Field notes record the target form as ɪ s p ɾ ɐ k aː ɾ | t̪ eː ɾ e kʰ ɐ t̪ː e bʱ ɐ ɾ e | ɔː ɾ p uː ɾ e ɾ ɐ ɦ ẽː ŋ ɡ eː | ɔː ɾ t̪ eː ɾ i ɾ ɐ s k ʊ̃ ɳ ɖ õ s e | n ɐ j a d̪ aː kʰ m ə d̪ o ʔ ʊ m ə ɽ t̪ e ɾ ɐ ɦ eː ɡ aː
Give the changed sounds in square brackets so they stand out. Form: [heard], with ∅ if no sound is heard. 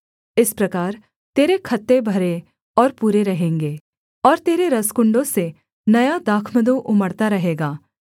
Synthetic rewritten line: ɪ s p ɾ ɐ k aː ɾ | t̪ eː ɾ e kʰ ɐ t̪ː e bʱ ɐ ɾ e | ɔː ɾ p uː ɾ e ɾ ɐ ɦ ẽː ŋ ɡ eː | ɔː ɾ t̪ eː ɾ [e] ɾ ɐ s k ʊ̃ ɳ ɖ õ s e | n ɐ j a d̪ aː kʰ m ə d̪ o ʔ ʊ m ə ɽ t̪ [a] ɾ ɐ ɦ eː ɡ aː